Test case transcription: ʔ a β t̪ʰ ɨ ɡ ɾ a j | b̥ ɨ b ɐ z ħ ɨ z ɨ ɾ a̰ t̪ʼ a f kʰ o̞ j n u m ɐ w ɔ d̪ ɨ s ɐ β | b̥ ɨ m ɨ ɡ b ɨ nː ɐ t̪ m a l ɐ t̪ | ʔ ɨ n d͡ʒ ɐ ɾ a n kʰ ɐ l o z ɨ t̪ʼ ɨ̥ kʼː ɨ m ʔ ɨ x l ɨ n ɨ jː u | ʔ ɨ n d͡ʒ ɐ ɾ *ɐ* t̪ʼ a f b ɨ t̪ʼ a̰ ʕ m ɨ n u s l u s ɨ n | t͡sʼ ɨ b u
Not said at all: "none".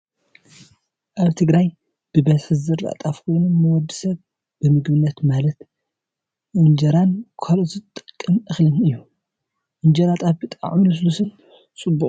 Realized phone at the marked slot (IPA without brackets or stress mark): a